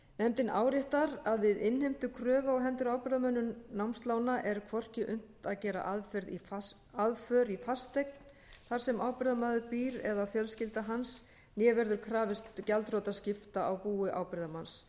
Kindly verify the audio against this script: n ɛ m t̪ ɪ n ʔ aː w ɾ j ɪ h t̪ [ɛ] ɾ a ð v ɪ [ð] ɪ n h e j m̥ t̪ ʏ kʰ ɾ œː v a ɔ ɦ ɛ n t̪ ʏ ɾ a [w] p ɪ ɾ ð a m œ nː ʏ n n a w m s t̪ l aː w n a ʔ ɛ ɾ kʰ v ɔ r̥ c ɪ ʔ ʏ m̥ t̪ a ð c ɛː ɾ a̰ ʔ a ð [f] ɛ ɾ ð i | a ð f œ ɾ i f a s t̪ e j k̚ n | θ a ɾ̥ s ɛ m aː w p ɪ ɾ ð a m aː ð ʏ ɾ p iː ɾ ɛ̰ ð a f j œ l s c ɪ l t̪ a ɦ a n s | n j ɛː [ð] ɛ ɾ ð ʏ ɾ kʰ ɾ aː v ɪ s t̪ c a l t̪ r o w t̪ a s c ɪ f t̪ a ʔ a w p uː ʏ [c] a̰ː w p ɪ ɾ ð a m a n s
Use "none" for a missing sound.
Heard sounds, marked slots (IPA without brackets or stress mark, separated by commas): a, ð, w, f, v, ʔ